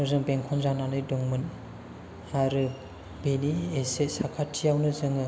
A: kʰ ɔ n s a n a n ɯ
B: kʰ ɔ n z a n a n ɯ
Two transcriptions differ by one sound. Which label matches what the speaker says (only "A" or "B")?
B